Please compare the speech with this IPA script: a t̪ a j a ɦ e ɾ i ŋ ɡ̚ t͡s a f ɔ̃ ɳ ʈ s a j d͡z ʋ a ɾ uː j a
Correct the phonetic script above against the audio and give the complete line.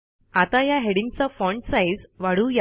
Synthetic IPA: a t̪ a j a ɦ e ɽ i ŋ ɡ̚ t͡s a f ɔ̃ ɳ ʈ s a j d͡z ʋ a ɽ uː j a

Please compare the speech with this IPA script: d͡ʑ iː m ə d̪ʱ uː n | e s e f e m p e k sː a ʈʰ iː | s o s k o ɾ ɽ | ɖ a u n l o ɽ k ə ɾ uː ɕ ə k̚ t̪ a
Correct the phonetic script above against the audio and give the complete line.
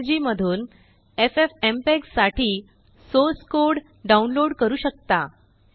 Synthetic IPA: d͡ʑ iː m ə d̪ʱ uː n | e f e f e m p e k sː a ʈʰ iː | s o s k o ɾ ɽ | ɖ a u n l o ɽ k ə ɾ uː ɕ ə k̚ t̪ a

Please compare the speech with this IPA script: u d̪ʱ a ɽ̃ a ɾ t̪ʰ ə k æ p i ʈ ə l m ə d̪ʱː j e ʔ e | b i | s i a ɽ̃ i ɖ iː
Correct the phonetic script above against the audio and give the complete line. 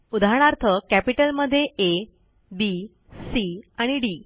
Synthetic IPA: u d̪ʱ a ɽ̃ a ɾ t̪ʰ ə k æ p i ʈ ə l m ə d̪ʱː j e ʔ e | b i | s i a ɽ̃ i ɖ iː

